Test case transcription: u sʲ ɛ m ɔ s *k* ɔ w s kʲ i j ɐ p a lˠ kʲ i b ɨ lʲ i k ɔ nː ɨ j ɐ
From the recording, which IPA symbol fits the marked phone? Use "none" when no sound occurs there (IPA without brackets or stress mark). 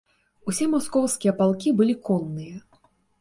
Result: k